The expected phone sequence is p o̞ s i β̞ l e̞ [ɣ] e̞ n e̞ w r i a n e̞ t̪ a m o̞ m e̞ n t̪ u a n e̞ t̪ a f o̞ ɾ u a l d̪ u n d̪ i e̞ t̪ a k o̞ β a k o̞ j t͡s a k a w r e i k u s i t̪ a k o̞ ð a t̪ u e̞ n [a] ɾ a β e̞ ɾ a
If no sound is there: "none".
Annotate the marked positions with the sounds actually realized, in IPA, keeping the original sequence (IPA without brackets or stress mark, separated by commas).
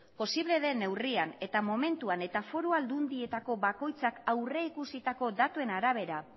ð, a